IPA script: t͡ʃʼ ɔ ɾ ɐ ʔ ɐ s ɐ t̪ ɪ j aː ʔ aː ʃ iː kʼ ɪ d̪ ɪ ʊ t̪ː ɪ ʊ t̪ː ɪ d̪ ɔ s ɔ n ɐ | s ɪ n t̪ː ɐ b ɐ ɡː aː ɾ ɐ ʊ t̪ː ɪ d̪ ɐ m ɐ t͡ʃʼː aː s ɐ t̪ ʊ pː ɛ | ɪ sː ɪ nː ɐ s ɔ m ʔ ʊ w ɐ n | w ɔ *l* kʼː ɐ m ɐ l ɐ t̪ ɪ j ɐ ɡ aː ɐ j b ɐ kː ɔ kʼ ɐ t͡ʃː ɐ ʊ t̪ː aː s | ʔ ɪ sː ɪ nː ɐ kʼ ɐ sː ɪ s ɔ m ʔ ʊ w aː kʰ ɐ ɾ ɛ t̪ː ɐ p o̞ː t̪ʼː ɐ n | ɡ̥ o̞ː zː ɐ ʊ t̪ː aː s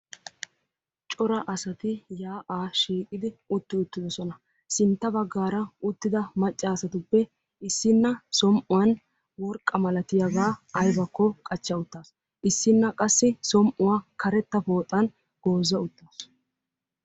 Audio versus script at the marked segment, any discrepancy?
yes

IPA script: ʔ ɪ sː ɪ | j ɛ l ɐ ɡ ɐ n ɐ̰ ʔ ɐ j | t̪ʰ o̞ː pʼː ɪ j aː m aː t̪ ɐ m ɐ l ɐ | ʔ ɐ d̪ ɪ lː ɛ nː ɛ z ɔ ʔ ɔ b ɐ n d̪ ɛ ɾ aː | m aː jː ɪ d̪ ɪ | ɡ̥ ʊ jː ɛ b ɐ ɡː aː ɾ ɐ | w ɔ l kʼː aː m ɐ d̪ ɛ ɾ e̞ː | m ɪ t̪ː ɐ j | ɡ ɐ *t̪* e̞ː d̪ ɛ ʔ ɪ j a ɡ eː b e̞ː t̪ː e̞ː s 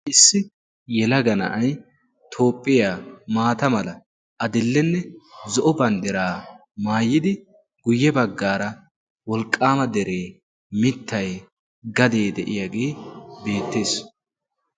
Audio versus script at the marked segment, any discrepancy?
yes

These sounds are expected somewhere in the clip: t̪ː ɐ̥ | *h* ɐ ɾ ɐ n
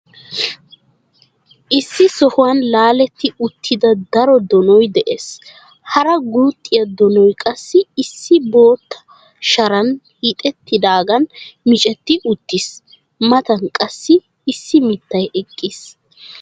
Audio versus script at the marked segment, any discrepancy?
yes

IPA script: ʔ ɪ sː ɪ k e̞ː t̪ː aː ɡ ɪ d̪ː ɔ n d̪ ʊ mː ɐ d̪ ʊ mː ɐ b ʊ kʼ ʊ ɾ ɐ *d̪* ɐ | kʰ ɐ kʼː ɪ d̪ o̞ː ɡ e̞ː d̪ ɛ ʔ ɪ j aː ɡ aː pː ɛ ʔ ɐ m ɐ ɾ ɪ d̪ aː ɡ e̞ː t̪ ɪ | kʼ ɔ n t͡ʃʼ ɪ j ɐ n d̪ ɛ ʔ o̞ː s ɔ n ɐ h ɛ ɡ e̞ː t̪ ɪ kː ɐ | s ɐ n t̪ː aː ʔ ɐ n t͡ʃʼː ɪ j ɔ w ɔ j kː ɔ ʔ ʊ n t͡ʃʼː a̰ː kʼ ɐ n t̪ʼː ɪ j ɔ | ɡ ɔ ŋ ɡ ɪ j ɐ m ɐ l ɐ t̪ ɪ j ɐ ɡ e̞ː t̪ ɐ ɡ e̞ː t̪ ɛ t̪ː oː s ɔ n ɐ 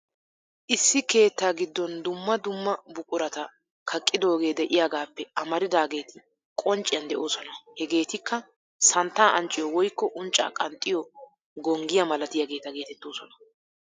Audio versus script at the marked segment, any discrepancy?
yes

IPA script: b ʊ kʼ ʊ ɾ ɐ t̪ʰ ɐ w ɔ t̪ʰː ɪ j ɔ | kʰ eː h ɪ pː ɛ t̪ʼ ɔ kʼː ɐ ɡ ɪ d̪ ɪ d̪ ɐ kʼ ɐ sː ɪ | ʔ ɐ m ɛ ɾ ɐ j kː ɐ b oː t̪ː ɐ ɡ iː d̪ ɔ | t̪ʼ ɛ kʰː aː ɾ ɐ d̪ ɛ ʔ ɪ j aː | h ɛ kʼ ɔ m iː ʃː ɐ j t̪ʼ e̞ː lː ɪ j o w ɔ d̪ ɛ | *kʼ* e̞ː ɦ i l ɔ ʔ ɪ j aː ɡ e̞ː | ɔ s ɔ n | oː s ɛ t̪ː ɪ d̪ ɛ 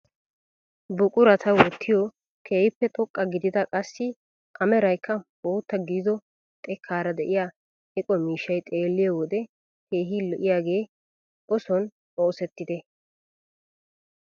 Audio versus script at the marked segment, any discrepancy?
yes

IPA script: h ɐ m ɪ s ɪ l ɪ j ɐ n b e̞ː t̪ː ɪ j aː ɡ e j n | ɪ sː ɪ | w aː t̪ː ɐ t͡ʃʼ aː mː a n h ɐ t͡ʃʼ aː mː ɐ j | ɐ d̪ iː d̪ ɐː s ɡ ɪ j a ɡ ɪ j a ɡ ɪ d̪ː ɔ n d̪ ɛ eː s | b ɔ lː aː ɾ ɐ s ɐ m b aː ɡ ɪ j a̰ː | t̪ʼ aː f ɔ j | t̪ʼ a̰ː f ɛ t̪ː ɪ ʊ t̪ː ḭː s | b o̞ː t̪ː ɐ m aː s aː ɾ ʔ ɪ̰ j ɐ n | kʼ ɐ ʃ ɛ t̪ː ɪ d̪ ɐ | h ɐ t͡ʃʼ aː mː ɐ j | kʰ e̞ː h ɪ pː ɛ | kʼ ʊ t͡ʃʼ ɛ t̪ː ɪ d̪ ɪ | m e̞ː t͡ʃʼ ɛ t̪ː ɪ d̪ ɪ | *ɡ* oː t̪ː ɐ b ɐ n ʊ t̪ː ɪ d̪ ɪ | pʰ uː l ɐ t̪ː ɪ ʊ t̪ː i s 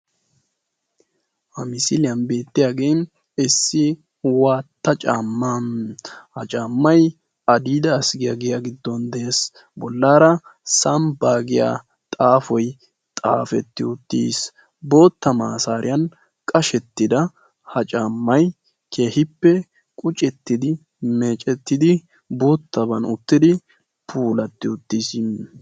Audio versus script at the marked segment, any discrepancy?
yes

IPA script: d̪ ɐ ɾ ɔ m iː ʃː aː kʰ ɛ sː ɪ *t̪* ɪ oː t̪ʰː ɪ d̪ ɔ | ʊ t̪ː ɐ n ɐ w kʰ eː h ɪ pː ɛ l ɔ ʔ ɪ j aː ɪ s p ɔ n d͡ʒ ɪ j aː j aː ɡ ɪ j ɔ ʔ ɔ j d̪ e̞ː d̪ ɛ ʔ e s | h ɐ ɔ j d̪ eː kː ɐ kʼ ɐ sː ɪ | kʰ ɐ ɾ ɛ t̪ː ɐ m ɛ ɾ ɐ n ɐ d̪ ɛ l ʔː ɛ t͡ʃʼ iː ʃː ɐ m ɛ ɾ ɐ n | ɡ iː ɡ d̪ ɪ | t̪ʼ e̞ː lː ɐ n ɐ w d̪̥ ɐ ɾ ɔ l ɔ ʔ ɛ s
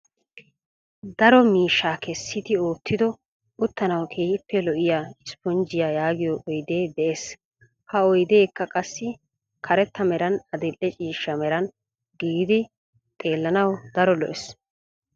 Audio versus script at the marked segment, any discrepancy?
no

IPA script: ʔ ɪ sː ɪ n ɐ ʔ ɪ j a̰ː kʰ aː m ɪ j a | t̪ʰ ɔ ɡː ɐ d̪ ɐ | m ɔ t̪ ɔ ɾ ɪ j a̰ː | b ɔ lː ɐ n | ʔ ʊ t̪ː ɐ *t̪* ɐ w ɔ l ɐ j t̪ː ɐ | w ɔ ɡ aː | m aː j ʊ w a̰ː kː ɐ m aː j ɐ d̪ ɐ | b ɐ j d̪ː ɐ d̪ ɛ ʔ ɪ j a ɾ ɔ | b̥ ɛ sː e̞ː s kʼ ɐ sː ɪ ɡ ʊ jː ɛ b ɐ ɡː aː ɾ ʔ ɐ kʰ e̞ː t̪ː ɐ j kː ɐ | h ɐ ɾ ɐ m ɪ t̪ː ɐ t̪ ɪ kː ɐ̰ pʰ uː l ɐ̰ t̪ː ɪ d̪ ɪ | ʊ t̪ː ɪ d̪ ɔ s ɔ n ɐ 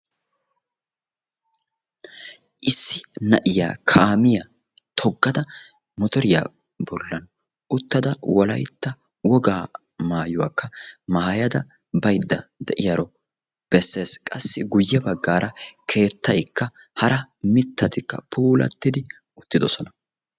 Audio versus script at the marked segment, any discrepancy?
yes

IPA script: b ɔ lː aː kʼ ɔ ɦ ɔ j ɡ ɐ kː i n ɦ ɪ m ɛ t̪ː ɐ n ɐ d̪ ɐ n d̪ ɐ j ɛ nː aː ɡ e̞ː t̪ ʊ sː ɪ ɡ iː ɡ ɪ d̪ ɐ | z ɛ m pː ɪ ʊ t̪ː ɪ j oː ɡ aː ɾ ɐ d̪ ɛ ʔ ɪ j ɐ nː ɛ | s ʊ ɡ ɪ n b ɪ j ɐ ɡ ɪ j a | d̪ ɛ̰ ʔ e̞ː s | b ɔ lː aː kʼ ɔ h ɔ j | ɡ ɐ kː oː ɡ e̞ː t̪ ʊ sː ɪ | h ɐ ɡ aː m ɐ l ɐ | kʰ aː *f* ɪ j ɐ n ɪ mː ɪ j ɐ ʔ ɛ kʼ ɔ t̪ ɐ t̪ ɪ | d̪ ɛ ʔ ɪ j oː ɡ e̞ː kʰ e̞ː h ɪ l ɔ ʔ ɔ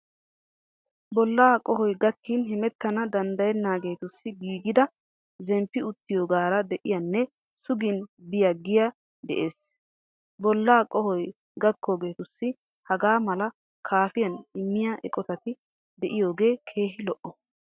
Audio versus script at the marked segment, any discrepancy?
no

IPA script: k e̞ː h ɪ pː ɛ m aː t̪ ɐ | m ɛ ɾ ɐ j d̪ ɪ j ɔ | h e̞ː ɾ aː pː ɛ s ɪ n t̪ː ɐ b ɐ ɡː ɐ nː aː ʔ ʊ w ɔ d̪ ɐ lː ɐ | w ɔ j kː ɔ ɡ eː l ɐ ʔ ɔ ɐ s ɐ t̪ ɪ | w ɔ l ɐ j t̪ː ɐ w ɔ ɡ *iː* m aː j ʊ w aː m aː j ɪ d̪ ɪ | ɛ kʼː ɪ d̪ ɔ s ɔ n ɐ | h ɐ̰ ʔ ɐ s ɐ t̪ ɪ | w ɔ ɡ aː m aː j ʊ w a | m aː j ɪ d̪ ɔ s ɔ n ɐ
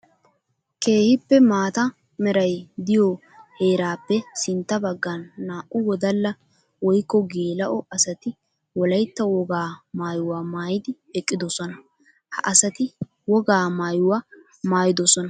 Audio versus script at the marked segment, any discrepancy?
yes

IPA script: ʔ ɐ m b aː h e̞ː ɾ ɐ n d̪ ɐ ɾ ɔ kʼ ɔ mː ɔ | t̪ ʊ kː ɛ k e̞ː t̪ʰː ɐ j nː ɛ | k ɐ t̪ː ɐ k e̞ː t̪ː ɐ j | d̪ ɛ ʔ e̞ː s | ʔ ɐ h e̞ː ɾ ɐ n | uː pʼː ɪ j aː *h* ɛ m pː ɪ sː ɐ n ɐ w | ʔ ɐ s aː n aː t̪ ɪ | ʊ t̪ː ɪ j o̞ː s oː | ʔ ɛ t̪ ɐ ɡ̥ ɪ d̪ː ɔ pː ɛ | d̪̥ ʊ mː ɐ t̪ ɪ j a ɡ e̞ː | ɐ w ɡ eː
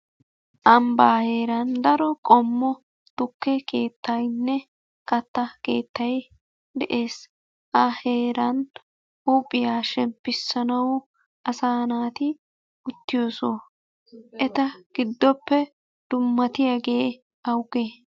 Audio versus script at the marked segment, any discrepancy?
yes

